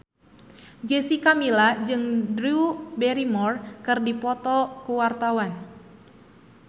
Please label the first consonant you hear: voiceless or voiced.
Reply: voiced